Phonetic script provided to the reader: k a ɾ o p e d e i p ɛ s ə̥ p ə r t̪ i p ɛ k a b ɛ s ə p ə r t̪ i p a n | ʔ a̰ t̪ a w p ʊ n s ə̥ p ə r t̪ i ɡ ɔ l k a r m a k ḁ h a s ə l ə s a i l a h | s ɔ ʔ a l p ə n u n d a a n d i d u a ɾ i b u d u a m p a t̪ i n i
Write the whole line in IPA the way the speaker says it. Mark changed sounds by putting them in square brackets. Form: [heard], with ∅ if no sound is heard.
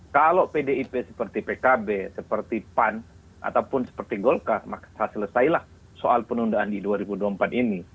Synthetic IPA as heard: k a [l] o p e d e i p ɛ s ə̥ p ə r t̪ i p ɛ k a b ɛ s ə p ə r t̪ i p a n | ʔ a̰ t̪ a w p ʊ n s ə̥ p ə r t̪ i ɡ ɔ l k a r m a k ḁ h a s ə l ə s a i l a h | s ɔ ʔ a l p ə n u n d a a n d i d u a ɾ i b u d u a m p a t̪ i n i